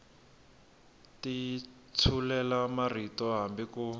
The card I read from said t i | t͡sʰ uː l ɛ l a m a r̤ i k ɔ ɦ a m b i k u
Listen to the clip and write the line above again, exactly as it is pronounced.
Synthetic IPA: t i | t͡sʰ u l ɛ l a m a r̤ i t ɔ ɦ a m b i k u